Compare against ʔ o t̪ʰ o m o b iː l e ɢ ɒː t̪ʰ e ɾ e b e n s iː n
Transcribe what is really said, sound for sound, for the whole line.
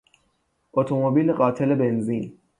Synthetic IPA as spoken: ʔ o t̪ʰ o m o b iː l e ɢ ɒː t̪ʰ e l e b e n z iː n